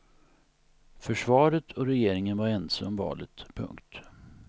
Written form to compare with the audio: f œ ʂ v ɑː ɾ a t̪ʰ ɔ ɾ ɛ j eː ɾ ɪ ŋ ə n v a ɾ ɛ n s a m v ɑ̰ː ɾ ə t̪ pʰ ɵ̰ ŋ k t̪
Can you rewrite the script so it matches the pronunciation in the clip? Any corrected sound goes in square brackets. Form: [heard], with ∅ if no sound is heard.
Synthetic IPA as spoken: f œ ʂ v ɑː ɾ [ə] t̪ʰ ɔ ɾ ɛ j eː ɾ ɪ ŋ ə n v a ɾ ɛ n s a m v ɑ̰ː [l] ə t̪ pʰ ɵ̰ ŋ k t̪